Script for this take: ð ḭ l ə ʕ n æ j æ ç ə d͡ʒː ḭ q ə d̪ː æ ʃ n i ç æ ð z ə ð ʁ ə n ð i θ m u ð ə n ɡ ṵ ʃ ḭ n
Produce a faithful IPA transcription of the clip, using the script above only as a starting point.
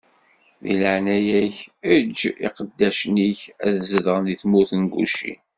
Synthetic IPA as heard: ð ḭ l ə ʕ n æ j æ ç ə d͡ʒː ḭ q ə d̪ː æ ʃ n i ç æ ð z ə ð ʁ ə n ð i θ m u θ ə n ɡ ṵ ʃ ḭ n